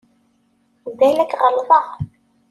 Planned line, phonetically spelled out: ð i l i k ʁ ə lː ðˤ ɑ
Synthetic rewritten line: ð æ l æ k ʁ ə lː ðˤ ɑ